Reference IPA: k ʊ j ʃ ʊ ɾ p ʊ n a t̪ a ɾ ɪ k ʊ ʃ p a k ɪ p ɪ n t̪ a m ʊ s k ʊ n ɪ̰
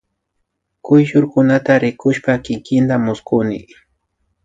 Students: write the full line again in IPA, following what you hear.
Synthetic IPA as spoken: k ʊ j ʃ ʊ ɾ k ʊ n a t̪ a ɾ ɪ k ʊ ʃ p a k ɪ k ɪ n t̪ a m ʊ s k ʊ n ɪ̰